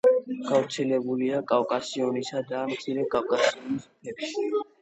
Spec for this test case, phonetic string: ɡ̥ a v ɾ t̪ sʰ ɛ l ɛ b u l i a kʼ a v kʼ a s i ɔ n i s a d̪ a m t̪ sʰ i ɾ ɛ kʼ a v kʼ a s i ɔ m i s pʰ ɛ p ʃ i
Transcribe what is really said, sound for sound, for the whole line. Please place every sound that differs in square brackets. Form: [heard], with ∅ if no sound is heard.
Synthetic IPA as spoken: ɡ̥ a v ɾ t̪ sʰ ɛ l ɛ b u l i a kʼ a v kʼ a s i ɔ n i s a d̪ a m t̪ sʰ i ɾ ɛ kʼ a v kʼ a s i ɔ [n] i s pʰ ɛ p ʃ i